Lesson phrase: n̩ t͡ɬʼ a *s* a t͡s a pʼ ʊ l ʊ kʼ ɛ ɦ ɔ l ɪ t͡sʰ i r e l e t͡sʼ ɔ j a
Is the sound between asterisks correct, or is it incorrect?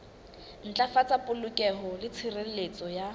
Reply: incorrect